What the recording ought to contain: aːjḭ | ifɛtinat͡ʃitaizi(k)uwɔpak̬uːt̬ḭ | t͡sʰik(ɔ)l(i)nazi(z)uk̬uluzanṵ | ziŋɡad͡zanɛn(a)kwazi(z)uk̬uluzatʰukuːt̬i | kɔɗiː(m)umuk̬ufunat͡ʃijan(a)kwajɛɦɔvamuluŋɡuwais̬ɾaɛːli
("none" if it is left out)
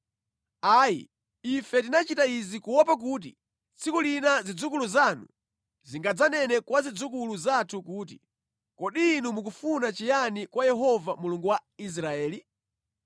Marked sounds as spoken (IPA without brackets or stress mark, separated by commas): k, u, i, d͡z, ɛ, d͡z, n, i